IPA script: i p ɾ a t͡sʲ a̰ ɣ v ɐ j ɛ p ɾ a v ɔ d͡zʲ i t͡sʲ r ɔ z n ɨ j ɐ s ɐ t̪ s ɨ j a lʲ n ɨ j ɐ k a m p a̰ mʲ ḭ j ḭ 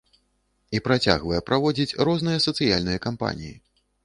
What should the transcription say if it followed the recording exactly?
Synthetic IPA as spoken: i p ɾ a t͡sʲ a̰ ɣ v ɐ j ɛ p ɾ a v ɔ d͡zʲ i t͡sʲ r ɔ z n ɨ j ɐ s ɐ t̪ s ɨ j a lʲ n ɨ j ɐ k a m p a̰ nʲ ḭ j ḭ